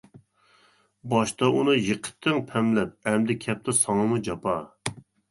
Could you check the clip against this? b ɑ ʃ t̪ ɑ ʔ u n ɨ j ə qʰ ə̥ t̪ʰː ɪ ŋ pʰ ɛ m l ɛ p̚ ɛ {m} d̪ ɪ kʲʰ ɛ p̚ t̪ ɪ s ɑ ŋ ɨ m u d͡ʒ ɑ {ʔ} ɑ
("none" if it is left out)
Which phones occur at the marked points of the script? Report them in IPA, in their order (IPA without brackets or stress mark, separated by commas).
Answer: m, p